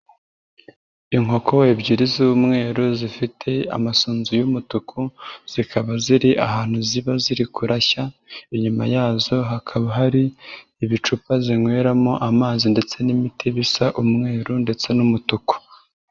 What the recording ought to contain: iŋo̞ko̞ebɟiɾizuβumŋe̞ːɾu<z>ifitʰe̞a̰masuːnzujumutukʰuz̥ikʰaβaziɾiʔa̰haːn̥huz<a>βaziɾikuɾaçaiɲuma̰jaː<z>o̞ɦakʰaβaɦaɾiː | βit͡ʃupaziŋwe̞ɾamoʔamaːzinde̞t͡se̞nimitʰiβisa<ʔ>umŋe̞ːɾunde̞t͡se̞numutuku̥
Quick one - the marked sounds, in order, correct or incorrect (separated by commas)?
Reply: correct, incorrect, correct, correct